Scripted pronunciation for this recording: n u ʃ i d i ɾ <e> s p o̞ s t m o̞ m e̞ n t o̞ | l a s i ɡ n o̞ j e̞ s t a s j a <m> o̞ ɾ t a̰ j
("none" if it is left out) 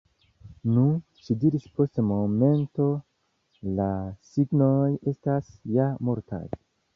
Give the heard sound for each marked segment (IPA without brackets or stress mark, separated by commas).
i, m